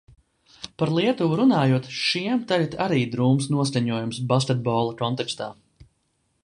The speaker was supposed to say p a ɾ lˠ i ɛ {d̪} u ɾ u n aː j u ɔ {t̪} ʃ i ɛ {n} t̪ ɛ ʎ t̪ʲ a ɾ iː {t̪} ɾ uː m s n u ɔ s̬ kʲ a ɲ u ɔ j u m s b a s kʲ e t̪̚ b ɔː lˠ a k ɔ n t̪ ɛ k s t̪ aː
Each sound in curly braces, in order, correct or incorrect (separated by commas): incorrect, correct, incorrect, incorrect